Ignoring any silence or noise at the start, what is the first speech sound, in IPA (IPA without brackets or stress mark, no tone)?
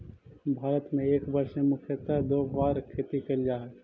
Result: bʱ